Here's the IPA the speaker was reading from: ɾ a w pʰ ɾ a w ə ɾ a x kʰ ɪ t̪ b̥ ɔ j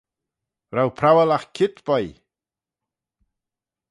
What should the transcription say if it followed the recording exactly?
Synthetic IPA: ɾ a w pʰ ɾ a w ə l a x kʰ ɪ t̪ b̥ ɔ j